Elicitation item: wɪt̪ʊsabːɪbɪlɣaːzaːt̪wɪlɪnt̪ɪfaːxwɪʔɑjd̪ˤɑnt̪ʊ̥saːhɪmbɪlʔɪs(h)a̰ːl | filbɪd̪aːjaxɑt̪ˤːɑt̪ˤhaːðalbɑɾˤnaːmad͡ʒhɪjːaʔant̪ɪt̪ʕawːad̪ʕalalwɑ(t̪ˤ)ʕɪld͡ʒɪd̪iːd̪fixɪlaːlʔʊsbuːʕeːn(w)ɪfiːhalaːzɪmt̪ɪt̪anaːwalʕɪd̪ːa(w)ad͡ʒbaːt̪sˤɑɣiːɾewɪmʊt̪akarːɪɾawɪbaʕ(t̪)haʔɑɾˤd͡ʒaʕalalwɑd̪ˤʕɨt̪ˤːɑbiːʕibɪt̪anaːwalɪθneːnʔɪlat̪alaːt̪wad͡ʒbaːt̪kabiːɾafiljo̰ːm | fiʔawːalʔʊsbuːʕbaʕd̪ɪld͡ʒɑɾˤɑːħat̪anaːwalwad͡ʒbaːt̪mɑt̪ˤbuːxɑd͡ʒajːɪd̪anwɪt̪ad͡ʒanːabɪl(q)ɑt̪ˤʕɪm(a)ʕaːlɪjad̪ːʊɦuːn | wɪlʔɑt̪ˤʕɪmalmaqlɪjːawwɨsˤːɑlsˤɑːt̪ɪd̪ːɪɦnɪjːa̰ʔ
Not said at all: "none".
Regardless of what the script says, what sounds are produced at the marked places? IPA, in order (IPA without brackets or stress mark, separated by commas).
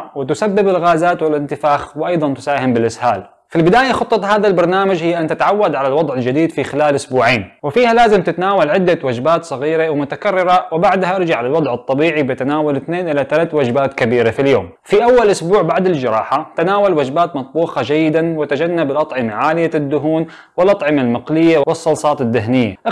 h, d̪ˤ, w, w, d̪, ʔ, a